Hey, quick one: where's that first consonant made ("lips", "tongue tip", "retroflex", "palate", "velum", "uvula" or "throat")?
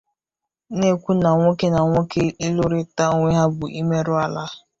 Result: tongue tip